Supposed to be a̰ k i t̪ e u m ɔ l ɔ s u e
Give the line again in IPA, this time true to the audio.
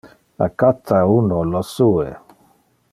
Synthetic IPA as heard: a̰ k a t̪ a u n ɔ l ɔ s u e